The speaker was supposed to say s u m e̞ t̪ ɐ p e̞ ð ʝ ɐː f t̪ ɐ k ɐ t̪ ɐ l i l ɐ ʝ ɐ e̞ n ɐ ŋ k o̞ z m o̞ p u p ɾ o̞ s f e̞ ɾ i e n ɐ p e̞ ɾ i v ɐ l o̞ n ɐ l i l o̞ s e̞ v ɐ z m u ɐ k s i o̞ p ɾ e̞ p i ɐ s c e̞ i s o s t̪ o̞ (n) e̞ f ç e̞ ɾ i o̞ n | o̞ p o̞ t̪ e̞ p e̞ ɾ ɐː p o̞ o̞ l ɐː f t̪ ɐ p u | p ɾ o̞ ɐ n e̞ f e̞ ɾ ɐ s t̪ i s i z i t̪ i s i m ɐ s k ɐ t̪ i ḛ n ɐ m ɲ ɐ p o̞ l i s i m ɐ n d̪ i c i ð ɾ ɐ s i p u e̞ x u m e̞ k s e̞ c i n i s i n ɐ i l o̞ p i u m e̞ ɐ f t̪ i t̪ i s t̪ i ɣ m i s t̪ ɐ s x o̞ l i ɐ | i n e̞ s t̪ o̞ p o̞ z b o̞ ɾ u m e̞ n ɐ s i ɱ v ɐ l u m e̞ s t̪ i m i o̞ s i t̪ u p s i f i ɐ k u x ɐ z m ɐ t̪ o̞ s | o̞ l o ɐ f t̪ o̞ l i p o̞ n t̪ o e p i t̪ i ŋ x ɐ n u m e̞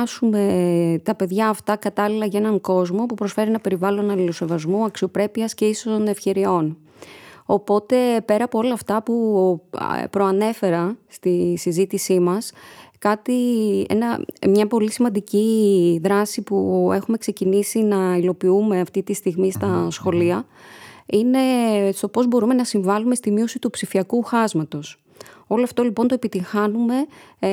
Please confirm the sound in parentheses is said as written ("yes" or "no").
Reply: yes